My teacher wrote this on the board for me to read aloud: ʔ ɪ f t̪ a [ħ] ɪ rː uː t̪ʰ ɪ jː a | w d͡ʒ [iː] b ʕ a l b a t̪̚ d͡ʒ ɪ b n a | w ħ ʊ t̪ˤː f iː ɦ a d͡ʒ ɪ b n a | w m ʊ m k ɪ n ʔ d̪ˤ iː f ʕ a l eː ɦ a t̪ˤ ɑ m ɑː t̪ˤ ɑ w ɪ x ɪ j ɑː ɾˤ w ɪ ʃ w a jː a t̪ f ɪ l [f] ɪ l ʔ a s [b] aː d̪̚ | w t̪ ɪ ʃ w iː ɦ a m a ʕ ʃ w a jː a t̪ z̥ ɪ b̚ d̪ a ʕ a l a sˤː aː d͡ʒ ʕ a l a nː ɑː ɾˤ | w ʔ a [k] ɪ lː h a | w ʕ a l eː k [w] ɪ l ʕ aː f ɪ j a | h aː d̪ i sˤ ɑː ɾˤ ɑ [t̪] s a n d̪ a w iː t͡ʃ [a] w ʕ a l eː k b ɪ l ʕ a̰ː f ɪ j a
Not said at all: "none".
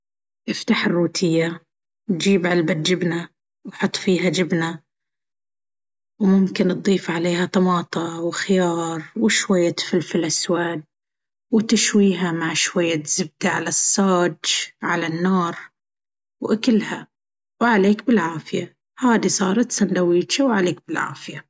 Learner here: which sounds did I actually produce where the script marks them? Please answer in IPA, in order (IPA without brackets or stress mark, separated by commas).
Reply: ħ, iː, f, w, k, b, t̪, a